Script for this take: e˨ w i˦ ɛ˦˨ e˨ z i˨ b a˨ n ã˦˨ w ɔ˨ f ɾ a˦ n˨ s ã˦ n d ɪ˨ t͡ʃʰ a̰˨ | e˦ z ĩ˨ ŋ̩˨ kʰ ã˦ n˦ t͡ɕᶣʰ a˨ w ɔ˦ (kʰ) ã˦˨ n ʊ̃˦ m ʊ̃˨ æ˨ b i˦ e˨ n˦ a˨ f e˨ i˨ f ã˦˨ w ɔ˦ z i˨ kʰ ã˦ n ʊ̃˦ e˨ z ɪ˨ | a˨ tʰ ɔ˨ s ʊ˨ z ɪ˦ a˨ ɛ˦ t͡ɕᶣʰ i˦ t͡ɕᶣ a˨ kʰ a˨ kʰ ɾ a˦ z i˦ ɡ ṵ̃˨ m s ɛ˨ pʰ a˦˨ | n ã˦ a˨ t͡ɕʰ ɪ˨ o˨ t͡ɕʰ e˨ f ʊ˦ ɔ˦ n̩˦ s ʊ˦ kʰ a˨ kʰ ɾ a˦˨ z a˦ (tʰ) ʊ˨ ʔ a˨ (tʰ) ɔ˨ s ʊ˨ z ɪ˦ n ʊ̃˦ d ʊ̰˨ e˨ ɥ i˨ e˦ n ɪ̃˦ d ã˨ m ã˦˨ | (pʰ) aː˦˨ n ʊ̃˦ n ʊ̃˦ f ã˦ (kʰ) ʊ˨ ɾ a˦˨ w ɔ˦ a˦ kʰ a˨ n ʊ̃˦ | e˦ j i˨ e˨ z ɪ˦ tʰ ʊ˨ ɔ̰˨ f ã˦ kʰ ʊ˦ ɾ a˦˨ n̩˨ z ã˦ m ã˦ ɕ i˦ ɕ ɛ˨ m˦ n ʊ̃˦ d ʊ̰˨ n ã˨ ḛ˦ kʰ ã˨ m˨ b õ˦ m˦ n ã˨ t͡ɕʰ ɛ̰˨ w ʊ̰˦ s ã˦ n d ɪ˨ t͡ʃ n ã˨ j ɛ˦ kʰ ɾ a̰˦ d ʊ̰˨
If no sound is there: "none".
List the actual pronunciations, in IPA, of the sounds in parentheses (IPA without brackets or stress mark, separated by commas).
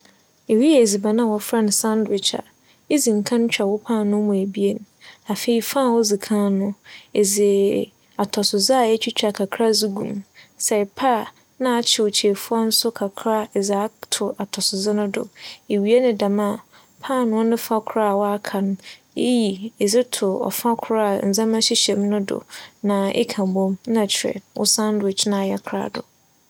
pʰ, tʰ, tʰ, pʰ, kʰ